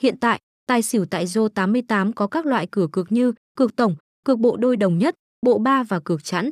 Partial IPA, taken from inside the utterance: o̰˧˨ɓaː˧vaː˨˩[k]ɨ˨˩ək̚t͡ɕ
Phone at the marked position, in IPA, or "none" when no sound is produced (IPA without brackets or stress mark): k